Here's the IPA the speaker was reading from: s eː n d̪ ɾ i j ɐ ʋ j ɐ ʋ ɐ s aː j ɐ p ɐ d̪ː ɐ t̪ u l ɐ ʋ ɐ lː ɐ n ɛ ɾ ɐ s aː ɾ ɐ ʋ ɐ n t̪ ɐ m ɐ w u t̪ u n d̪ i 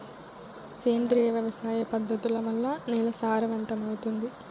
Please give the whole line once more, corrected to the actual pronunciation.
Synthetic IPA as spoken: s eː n d̪ ɾ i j ɐ ʋ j ɐ ʋ ɐ s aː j ɐ p ɐ d̪ː ɐ t̪ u l ɐ ʋ ɐ lː ɐ n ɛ l ɐ s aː ɾ ɐ ʋ ɐ n t̪ ɐ m ɐ w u t̪ u n d̪ i